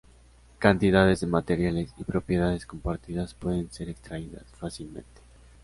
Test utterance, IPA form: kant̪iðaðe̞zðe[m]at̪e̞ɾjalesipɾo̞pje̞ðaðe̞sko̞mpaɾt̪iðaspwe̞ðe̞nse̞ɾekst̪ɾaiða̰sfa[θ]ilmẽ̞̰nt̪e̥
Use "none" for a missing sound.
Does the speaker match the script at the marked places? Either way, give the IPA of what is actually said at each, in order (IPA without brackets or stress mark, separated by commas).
m, s